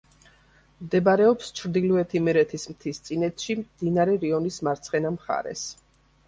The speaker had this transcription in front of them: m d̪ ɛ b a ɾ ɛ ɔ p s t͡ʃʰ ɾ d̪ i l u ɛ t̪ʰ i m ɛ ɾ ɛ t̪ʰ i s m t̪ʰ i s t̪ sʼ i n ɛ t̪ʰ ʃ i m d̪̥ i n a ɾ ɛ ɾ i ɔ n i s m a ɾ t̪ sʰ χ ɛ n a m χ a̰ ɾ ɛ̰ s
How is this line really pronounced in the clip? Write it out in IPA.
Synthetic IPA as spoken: m d̪ ɛ b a ɾ ɛ ɔ p s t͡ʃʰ ɾ d̪ i l u ɛ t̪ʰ i m ɛ ɾ ɛ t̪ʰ i s m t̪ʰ i s t̪ sʼ i n ɛ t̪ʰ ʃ i m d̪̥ i n a ɾ ɛ ɾ i ɔ n i s m a ɾ t̪ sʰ χ ɛ n a m χ a̰ ɾ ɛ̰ s

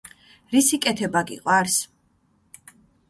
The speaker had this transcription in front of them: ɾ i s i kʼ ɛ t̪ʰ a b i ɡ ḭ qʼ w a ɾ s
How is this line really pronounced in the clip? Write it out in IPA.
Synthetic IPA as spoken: ɾ i s i kʼ ɛ t̪ʰ ɛ b a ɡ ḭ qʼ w a ɾ s

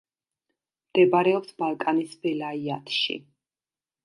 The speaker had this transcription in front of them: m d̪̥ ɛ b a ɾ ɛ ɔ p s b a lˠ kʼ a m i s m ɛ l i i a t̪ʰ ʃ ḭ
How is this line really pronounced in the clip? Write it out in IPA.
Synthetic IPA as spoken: m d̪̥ ɛ b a ɾ ɛ ɔ p s b a lˠ kʼ a n i s b ɛ l a i a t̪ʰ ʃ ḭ

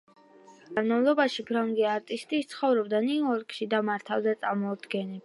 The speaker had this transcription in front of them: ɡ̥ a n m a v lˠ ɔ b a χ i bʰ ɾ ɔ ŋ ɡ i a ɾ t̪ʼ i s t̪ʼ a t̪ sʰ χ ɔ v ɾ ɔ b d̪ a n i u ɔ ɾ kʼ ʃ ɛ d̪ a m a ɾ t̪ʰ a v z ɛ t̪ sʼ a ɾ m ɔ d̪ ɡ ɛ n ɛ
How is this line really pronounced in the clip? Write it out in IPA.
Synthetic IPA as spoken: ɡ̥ a n m a v lˠ ɔ b a ʃ i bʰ ɾ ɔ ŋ ɡ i a ɾ t̪ʼ i s t̪ʼ i t̪ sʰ χ ɔ v ɾ ɔ b d̪ a n i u ɔ ɾ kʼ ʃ i d̪ a m a ɾ t̪ʰ a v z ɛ t̪ sʼ a ɾ m ɔ d̪ ɡ ɛ n ɛ

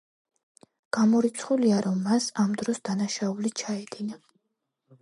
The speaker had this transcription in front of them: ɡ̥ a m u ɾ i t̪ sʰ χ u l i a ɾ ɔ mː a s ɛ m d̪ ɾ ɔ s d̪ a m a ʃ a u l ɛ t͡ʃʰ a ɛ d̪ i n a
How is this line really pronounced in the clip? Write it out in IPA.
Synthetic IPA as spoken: ɡ̥ a m ɔ ɾ i t̪ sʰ χ u l i a ɾ ɔ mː a s a m d̪ ɾ ɔ s d̪ a n a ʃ a u l i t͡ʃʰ a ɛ d̪ i n a

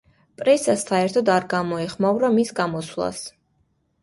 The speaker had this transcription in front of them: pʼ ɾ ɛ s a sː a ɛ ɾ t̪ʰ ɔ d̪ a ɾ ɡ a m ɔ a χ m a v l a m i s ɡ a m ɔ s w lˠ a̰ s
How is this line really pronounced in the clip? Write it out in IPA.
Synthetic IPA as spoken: pʼ ɾ ɛ s a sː a ɛ ɾ t̪ʰ ɔ d̪ a ɾ ɡ a m ɔ ɛ χ m a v ɾ a m i s ɡ a m ɔ s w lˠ a̰ s

